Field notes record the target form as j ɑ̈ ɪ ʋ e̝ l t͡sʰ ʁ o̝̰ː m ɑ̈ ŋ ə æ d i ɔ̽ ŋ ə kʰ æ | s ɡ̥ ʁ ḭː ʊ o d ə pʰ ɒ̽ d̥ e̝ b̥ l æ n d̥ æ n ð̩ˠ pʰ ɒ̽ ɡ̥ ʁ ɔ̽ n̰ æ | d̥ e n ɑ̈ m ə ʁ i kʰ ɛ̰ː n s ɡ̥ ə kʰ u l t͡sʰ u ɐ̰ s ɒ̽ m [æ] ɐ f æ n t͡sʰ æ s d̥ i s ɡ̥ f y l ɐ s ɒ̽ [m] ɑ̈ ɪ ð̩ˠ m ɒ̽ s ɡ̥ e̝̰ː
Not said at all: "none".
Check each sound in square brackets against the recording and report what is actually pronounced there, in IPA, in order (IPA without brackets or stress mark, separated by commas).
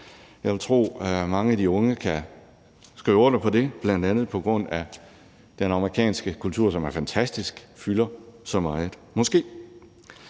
æ, m